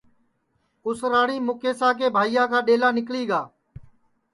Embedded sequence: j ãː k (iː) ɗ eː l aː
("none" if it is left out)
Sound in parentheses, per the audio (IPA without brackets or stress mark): aː